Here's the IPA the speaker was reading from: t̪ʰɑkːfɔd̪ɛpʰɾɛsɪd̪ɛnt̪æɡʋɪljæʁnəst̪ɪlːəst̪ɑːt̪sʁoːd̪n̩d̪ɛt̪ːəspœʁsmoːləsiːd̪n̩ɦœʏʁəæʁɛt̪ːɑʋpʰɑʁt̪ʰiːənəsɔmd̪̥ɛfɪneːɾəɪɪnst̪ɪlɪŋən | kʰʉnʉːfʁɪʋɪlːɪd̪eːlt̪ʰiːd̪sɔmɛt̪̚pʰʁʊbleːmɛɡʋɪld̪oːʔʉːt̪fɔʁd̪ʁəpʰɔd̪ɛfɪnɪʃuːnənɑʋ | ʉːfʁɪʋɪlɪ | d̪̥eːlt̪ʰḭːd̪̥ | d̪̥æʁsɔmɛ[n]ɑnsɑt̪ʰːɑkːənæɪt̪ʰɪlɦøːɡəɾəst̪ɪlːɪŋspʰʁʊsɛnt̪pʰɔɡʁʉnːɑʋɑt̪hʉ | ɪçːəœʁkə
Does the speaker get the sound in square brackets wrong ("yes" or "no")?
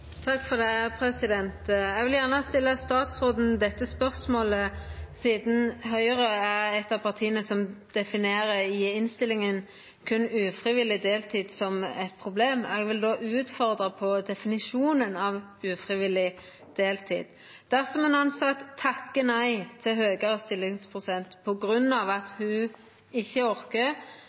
no